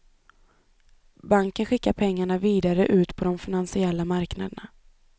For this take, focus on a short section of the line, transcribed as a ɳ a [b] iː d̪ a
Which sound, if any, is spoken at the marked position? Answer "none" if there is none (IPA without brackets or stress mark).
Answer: v